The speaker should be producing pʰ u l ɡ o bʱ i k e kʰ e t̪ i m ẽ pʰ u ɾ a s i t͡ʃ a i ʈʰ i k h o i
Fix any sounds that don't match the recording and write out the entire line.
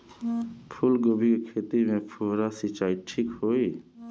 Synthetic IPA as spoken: pʰ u l ɡ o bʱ i k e kʰ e t̪ i m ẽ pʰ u ɾ a s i t͡ʃ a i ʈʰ i k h o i